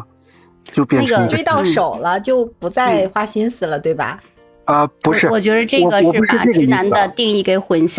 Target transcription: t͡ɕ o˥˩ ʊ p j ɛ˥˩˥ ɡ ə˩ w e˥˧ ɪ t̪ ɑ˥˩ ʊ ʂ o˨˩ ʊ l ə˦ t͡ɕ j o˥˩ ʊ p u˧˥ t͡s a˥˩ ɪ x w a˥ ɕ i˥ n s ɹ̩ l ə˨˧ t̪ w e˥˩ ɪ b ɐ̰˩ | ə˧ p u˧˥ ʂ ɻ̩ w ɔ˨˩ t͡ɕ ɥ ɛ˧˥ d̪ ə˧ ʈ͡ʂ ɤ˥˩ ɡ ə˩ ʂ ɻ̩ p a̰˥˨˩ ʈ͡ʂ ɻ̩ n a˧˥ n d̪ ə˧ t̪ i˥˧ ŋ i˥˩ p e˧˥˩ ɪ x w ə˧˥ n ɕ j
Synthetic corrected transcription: t͡ɕ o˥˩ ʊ p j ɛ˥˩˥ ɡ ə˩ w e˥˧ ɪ t̪ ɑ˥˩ ʊ ʂ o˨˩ ʊ l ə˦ t͡ɕ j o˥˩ ʊ p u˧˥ t͡s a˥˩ ɪ x w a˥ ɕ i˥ n s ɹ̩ l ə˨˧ t̪ w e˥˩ ɪ b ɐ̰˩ | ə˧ p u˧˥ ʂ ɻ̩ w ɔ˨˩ t͡ɕ ɥ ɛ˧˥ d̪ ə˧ ʈ͡ʂ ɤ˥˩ ɡ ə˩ ʂ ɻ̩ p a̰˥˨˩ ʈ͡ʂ ɻ̩ n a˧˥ n d̪ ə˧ t̪ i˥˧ ŋ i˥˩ k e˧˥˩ ɪ x w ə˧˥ n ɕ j